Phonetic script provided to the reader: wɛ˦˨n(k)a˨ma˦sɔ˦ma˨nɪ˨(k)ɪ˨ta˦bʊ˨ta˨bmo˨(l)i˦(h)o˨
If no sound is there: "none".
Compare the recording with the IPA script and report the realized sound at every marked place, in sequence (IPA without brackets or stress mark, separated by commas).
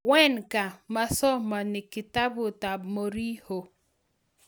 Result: k, k, ɾ, h